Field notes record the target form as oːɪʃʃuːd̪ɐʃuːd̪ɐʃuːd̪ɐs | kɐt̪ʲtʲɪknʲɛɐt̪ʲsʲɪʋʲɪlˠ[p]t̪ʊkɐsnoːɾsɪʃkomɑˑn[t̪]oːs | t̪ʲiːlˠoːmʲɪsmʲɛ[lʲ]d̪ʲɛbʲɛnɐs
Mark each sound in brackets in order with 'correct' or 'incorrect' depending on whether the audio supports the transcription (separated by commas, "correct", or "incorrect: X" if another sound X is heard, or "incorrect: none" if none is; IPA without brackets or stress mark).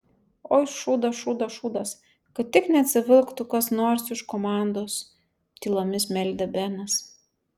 incorrect: k, incorrect: d̪, correct